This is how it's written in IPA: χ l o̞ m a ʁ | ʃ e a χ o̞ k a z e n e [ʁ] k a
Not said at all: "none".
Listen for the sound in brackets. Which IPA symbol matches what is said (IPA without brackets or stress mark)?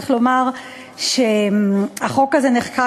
χ